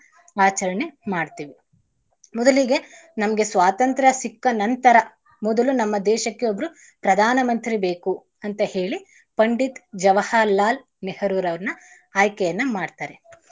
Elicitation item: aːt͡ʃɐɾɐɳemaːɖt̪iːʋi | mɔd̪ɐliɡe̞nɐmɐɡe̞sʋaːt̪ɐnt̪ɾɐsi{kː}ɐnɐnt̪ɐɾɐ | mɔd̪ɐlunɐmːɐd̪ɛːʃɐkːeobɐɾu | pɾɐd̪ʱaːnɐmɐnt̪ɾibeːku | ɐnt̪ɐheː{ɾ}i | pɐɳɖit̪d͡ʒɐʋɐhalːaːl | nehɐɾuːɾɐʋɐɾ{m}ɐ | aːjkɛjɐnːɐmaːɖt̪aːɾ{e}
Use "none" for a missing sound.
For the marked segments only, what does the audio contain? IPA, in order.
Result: kː, ɭ, n, e

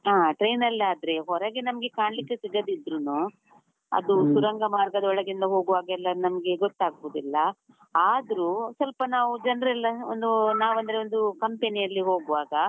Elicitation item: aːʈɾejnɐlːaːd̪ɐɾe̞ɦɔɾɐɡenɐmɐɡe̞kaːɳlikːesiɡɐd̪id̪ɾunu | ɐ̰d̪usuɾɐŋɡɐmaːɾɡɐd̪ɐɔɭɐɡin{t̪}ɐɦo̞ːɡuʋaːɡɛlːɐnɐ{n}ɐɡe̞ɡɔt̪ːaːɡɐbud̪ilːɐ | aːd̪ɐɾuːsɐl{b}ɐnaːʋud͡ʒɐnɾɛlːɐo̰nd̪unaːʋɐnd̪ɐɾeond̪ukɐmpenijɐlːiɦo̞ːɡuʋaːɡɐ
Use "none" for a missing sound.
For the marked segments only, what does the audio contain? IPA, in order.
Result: d̪, m, p

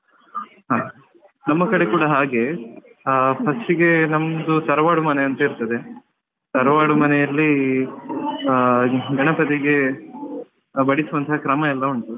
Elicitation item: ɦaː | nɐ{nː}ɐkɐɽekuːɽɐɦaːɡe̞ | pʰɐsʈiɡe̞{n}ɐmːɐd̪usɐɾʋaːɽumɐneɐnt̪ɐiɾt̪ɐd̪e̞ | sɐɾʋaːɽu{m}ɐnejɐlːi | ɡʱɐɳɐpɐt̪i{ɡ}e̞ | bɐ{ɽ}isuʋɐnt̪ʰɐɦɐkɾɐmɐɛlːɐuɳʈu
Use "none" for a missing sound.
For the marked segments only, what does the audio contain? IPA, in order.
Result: mː, n, m, ɡ, ɽ

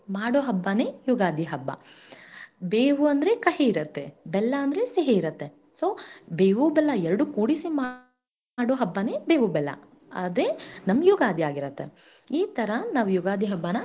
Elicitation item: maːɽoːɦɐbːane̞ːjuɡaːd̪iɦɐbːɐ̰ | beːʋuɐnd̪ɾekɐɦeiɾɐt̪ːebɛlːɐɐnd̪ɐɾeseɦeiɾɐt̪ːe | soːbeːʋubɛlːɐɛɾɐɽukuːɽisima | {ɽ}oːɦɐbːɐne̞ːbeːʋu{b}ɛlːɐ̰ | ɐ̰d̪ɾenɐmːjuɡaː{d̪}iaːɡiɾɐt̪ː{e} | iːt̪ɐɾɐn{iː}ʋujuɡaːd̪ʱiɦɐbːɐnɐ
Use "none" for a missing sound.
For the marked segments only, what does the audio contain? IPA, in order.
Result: ɽ, b, d̪, e, aː

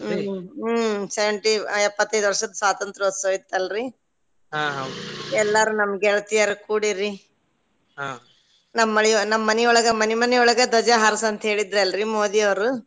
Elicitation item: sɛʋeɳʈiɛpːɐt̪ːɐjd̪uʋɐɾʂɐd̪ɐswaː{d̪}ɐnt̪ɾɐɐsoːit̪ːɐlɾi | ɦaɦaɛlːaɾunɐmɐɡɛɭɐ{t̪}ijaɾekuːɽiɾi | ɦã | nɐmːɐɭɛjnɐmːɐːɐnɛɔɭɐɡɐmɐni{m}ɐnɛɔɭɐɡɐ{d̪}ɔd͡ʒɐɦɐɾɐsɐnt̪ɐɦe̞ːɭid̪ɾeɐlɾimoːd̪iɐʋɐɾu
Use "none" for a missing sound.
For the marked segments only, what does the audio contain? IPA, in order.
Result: t̪, t̪, m, d̪

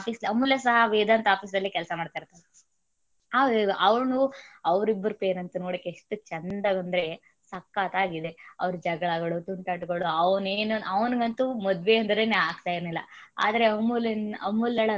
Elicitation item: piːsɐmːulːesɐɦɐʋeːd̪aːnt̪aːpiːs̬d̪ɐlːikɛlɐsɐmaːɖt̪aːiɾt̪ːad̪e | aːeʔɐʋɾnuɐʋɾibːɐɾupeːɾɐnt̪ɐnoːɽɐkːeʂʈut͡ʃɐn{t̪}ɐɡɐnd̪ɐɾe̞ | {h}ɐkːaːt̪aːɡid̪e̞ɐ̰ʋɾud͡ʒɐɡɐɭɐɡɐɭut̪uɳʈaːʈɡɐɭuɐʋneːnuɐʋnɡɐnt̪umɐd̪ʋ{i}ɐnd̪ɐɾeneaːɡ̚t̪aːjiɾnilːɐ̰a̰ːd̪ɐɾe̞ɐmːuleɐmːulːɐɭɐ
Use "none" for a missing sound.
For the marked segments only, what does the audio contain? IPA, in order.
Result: d̪, s, e

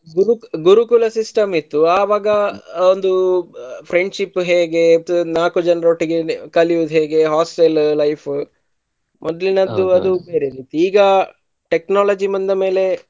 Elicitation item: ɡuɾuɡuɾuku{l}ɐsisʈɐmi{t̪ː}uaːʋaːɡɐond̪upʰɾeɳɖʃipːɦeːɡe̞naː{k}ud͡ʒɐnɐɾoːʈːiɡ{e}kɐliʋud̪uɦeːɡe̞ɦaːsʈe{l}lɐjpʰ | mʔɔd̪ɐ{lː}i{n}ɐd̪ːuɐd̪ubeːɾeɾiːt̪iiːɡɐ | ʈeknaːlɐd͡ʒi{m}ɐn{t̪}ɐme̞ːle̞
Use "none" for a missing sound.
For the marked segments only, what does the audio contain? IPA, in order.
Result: l, t̪ː, k, e, l, l, n, m, d̪

